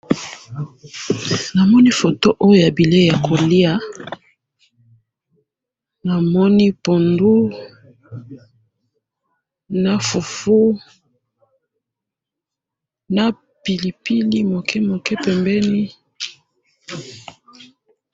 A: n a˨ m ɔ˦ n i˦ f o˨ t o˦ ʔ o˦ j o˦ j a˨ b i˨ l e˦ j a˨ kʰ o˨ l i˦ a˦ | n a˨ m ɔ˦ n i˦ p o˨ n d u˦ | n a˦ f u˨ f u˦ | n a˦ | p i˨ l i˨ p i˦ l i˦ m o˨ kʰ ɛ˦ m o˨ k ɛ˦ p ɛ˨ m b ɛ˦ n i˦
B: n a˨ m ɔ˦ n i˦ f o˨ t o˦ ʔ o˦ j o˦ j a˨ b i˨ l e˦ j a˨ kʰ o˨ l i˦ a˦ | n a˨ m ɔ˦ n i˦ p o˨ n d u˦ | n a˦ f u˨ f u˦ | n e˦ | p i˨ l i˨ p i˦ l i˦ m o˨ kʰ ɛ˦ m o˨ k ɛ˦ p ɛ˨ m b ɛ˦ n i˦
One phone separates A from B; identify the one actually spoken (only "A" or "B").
A